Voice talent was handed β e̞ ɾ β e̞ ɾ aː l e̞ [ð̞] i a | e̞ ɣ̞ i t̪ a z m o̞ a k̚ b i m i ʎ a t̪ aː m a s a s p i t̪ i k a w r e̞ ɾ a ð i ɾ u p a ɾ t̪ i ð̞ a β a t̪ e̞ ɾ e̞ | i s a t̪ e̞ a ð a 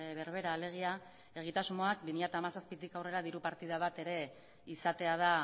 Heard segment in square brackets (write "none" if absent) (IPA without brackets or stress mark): ɣ̞